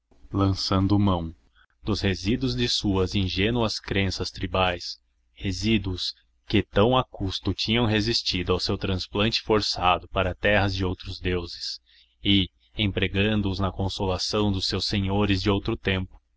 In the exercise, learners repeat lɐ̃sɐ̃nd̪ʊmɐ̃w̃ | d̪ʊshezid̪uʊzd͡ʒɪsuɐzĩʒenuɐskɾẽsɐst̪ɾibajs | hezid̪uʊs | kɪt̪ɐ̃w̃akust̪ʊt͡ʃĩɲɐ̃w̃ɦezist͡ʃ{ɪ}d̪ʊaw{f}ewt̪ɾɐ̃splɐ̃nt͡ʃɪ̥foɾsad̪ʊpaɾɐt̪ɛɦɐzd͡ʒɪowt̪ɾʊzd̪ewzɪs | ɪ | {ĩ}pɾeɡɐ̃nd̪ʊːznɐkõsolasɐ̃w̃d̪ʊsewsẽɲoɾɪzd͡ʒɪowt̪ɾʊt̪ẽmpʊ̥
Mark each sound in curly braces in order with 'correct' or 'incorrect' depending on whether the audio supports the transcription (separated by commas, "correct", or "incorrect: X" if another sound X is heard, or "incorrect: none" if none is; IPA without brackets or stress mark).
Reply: incorrect: i, incorrect: s, incorrect: ẽ